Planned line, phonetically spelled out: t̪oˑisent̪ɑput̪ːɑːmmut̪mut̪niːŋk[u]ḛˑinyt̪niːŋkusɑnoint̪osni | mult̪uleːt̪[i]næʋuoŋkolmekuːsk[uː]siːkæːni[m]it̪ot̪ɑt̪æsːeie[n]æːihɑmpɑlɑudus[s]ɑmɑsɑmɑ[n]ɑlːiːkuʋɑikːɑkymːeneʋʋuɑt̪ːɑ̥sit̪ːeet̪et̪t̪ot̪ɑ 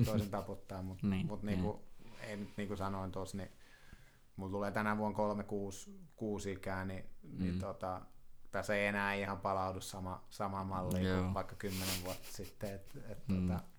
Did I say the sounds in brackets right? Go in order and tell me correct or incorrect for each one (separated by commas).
correct, incorrect, correct, incorrect, correct, correct, incorrect